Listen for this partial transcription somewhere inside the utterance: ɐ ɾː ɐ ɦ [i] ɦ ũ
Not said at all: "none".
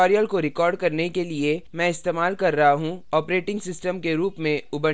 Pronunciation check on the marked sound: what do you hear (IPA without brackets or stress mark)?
a